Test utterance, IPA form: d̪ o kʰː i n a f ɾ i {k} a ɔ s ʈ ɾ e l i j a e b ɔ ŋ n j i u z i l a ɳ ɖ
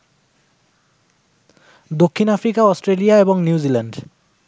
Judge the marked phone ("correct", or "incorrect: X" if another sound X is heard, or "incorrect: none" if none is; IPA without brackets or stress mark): correct